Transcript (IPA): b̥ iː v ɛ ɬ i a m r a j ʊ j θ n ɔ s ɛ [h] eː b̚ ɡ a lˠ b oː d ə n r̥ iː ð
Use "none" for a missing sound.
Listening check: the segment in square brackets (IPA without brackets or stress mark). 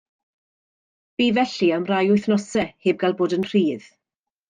h